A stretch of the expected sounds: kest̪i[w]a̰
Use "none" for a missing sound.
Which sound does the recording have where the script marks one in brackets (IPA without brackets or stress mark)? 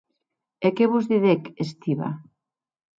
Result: β